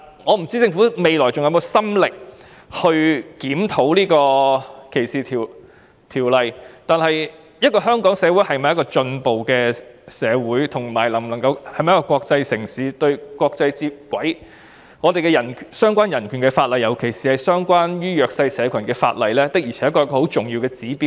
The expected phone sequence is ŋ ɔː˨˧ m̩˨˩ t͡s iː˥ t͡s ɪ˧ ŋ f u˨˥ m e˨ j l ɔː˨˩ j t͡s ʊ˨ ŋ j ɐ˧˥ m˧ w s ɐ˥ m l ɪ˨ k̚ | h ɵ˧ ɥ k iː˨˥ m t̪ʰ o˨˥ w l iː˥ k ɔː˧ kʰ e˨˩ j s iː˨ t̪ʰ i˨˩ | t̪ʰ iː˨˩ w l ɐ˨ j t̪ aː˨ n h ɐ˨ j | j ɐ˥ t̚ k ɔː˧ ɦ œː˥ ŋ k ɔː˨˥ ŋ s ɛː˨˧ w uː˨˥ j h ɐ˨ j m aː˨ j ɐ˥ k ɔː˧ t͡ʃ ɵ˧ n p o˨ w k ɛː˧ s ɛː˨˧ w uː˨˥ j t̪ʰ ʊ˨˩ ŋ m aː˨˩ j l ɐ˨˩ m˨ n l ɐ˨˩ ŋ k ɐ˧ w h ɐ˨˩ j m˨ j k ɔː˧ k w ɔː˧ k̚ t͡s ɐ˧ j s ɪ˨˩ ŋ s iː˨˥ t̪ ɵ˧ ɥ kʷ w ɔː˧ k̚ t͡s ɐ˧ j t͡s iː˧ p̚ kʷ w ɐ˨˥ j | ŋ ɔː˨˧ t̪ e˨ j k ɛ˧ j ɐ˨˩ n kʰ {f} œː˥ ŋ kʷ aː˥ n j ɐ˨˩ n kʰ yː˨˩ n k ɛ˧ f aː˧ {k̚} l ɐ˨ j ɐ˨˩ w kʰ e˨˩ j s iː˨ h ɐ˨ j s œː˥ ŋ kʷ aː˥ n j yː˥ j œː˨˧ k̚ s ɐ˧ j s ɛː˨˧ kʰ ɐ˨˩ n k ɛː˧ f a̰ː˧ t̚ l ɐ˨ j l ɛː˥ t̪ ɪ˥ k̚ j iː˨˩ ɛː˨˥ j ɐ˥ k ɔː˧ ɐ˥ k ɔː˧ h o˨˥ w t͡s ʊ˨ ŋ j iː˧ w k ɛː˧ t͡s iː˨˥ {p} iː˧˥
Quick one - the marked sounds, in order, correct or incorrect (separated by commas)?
incorrect, incorrect, correct